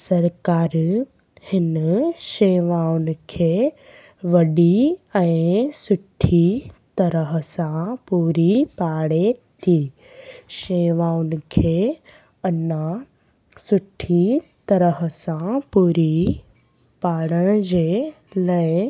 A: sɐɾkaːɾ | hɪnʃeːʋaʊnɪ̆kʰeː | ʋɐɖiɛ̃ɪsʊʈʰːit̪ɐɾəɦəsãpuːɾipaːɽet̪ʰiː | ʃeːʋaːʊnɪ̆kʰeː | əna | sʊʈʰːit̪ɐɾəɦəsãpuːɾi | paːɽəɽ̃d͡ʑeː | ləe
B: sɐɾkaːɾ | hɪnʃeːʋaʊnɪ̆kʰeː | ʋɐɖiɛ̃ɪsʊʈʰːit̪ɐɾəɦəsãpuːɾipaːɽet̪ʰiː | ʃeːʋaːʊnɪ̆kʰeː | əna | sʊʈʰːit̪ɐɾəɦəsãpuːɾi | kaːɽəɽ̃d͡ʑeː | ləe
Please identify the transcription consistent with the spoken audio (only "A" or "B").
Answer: A